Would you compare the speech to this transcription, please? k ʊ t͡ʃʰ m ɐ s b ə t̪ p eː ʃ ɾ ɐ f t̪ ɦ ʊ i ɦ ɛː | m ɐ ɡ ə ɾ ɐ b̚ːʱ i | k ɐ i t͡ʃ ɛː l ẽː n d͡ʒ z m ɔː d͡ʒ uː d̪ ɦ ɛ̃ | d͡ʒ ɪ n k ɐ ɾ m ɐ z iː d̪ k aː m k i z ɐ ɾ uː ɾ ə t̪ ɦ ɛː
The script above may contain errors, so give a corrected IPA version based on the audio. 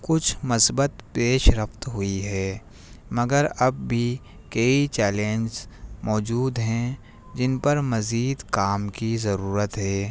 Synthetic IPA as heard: k ʊ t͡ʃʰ m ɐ s b ə t̪ p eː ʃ ɾ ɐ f t̪ ɦ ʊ i ɦ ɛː | m ɐ ɡ ə ɾ ɐ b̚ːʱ i | k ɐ i t͡ʃ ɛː l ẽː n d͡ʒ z m ɔː d͡ʒ uː d̪ ɦ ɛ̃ | d͡ʒ ɪ n p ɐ ɾ m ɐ z iː d̪ k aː m k i z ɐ ɾ uː ɾ ə t̪ ɦ ɛː